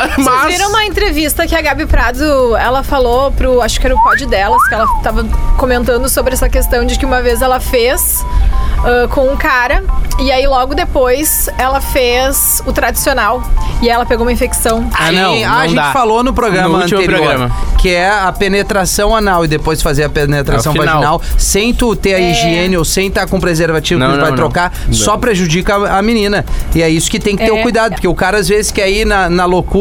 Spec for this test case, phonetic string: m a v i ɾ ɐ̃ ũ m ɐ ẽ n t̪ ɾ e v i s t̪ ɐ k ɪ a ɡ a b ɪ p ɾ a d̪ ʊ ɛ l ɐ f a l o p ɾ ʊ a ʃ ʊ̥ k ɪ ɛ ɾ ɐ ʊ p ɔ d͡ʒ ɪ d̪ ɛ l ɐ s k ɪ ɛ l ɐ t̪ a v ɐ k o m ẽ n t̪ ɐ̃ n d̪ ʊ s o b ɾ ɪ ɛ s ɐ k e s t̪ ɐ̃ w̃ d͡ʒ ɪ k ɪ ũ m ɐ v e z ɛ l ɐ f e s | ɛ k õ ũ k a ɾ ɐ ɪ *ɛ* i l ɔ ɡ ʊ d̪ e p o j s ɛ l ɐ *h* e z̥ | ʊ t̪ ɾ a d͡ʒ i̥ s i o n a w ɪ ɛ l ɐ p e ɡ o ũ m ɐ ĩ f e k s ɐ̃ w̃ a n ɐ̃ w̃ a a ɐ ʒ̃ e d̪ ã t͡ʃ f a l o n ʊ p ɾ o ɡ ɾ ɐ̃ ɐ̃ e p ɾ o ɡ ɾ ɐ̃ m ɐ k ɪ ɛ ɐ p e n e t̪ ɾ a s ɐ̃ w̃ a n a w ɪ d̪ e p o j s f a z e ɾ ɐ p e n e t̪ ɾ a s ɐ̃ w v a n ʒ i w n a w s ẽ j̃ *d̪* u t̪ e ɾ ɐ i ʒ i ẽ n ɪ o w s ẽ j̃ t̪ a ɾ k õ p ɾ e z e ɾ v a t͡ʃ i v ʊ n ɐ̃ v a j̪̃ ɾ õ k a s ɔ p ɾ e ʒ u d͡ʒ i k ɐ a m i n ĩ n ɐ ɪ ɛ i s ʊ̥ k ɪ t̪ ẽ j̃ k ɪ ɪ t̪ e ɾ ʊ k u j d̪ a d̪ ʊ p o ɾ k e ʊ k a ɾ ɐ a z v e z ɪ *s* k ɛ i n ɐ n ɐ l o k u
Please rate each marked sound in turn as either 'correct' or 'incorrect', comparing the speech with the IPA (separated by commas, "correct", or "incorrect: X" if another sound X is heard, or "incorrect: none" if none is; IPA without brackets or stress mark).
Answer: incorrect: a, incorrect: f, incorrect: t̪, correct